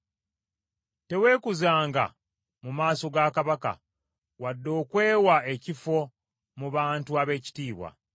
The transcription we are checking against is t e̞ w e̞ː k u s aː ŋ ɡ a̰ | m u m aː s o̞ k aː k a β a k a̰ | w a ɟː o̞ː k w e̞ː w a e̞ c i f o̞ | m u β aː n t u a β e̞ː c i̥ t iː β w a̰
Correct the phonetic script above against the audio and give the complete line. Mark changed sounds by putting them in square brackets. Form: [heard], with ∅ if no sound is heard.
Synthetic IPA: t e̞ w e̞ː k u [z] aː ŋ ɡ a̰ | m u m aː s o̞ [ɡ] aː k a β a k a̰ | w a [dː] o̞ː k w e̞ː w a e̞ c i f o̞ | m u β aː n t u a β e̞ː c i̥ t iː β w a̰